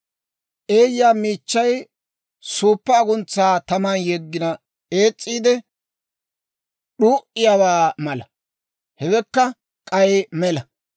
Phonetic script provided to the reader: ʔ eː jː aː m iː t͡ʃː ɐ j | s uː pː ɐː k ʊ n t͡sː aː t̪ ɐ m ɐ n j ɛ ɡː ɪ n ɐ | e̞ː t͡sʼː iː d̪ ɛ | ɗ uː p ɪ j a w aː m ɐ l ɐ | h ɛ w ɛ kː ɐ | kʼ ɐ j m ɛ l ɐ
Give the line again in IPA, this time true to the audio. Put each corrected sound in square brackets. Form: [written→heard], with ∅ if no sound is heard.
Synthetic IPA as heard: ʔ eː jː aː m iː t͡ʃː ɐ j | s uː pː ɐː [k→ɡ] ʊ n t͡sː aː t̪ ɐ m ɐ n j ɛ ɡː ɪ n ɐ | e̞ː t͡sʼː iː d̪ ɛ | ɗ uː [p→ʔ] ɪ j a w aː m ɐ l ɐ | h ɛ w ɛ kː ɐ | kʼ ɐ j m ɛ l ɐ